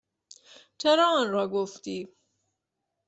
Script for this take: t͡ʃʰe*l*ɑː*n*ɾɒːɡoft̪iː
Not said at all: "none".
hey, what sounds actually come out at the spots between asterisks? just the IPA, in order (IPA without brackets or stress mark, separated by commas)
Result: ɾ, n